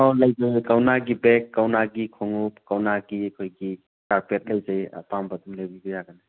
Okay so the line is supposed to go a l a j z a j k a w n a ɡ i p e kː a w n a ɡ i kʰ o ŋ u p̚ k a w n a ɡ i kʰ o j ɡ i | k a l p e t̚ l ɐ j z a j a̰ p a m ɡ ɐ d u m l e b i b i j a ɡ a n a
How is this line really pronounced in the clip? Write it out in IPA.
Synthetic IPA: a l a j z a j k a w n a ɡ i b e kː a w n a ɡ i kʰ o ŋ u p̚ k a w n a ɡ i kʰ o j ɡ i | k a ɾ p e t̚ l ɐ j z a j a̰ p a m b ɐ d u m l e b i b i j a ɡ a n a